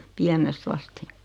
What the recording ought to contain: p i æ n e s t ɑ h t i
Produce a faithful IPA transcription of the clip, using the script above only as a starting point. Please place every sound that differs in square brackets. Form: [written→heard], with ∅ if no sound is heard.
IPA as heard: p i æ n e s t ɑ [h→s] t i

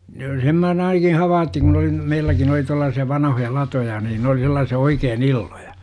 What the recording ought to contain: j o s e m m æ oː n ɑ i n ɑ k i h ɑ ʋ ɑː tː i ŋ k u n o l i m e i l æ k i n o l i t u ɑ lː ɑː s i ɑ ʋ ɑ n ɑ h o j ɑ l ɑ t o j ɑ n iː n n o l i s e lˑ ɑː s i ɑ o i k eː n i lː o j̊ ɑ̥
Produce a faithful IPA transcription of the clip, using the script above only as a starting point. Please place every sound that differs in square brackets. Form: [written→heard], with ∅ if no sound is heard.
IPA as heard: j o s e m m æ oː n ɑ i n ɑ k i h ɑ ʋ ɑː tː i ŋ k u n o l i m e i [l→lː] æ k i n o l i t u ɑ lː ɑː s i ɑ ʋ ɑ n ɑ h o j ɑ l ɑ t o j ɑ n iː n n o l i s e lˑ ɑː s i ɑ o i k eː n i lː o j̊ ɑ̥

